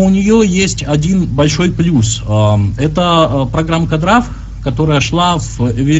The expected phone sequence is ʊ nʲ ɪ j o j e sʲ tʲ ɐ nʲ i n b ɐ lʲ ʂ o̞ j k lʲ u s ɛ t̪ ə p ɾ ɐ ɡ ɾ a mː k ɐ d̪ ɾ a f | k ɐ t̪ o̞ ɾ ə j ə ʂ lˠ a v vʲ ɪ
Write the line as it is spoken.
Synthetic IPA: ʊ nʲ ɪ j o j e sʲ tʲ ɐ dʲ i n b ɐ lʲ ʂ o̞ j p lʲ u s ɛ t̪ ə p ɾ ɐ ɡ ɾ a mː k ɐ d̪ ɾ a f | k ɐ t̪ o̞ ɾ ə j ə ʂ lˠ a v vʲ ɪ